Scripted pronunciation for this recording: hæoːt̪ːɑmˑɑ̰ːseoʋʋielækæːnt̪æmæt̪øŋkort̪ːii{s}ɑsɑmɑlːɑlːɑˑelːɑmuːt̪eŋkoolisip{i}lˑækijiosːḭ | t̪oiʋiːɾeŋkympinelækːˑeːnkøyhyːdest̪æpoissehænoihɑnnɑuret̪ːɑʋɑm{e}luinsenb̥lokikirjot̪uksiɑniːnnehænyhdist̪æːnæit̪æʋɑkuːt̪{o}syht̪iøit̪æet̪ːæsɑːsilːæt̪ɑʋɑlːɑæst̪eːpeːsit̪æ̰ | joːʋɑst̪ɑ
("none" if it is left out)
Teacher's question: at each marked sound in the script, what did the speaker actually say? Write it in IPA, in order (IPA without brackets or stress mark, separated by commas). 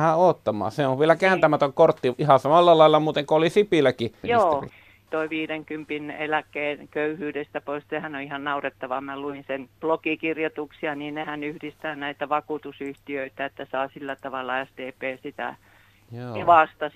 h, i, æ, u